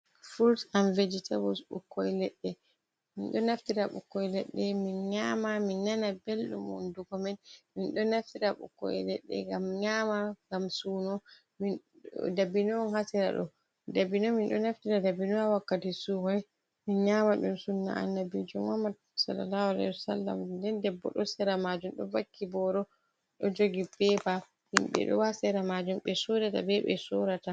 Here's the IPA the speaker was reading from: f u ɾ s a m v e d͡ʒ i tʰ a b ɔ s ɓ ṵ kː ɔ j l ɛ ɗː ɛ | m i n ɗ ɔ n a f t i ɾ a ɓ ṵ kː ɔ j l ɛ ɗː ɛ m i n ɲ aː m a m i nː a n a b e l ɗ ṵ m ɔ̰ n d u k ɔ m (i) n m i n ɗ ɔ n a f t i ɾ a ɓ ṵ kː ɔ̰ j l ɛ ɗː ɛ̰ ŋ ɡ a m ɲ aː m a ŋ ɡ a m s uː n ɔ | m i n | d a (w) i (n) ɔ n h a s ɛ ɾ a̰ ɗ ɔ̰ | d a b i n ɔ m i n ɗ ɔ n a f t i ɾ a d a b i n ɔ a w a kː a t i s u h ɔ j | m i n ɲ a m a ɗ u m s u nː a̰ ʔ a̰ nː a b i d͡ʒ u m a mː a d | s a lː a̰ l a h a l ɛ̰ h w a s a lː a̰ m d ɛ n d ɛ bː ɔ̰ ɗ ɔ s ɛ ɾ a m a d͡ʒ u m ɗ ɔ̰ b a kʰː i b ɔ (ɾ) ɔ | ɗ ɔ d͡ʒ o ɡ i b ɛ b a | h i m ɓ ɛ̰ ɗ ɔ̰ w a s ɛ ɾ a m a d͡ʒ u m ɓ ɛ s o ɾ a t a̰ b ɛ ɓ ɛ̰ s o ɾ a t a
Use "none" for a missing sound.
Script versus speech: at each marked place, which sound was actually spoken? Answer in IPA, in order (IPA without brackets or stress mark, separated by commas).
ɛ, b, n, ɾ